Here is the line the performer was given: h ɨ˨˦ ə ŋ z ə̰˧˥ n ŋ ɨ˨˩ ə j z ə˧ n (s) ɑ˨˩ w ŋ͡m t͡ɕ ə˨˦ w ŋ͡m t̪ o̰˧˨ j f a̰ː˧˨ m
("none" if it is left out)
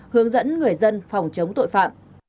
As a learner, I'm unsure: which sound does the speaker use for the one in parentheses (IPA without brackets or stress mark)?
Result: f